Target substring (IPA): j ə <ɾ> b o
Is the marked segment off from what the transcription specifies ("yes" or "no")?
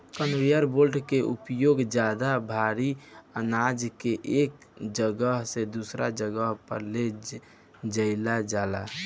no